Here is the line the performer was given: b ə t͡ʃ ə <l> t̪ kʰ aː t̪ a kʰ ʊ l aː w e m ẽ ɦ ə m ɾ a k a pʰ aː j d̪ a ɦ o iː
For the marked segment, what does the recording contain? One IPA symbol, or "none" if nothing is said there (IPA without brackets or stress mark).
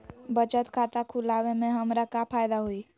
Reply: none